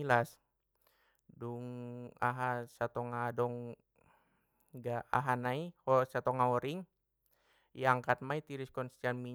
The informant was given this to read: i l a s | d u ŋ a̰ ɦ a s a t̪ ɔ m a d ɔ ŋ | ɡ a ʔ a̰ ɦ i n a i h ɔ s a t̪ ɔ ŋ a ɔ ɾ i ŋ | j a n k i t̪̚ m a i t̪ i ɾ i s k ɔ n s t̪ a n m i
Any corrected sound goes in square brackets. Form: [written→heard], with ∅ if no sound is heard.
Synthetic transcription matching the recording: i l a s | d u ŋ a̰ ɦ a s a t̪ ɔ [m→ŋ] a d ɔ ŋ | ɡ a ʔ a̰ ɦ [i→a] n a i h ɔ s a t̪ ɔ ŋ a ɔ ɾ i ŋ | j a [n→ŋ] k [i→a] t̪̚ m a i t̪ i ɾ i s k ɔ n s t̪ a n m i